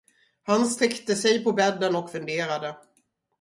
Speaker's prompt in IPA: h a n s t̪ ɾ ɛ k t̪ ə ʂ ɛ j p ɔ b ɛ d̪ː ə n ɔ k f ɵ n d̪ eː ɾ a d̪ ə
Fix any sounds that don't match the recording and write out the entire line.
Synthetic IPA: h a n s t̪ ɾ ɛ k t̪ ə s ɛ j p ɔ b ɛ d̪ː ə n ɔ k f ɵ n d̪ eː ɾ a d̪ ə

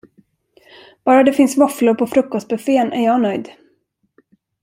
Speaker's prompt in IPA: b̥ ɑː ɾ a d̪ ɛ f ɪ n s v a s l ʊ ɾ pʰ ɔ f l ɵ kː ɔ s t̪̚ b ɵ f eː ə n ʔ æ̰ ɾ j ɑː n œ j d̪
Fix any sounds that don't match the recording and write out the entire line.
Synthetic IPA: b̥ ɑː ɾ a d̪ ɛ f ɪ n s v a f l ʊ ɾ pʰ ɔ f ɾ ɵ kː ɔ s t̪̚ b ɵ f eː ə n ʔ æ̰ ɾ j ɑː n œ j d̪

